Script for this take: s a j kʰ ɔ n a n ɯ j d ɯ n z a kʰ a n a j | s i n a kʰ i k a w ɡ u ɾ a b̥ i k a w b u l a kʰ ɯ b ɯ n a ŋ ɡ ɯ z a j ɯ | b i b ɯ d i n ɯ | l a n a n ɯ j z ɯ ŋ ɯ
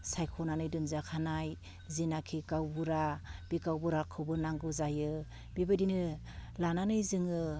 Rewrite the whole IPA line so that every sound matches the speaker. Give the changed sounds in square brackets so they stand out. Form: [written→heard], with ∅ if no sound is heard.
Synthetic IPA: s a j kʰ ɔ n a n ɯ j d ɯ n z a kʰ a n a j | [s→z] i n a kʰ i k a w [ɡ→b] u ɾ a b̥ i k a w b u [l→ɾ] a kʰ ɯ b ɯ n a ŋ ɡ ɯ z a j ɯ | b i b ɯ d i n ɯ | l a n a n ɯ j z ɯ ŋ ɯ